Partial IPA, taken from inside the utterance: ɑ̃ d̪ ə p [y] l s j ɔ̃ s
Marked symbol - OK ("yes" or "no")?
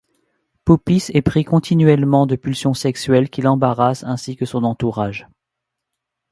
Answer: yes